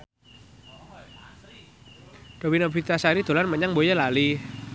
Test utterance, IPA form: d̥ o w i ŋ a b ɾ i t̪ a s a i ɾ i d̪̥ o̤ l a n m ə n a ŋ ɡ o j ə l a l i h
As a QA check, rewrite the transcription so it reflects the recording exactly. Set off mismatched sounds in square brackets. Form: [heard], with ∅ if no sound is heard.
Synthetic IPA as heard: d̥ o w i [n] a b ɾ i t̪ a s a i ɾ i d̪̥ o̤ l a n m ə [ɲ] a ŋ [b] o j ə l a l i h